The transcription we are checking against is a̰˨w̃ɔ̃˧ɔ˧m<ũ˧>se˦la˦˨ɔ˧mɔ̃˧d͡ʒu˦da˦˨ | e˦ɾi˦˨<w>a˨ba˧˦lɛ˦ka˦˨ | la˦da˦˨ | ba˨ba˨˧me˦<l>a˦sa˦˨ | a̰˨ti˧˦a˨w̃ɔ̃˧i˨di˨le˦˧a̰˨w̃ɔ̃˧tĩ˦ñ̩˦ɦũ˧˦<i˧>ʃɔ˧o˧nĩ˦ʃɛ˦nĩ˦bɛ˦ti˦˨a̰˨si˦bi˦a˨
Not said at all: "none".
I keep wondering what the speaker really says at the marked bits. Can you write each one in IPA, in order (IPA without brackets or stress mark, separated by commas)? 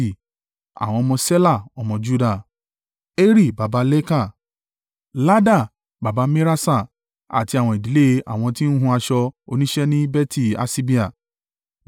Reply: ɔ̃˧, b, ɾ, a˧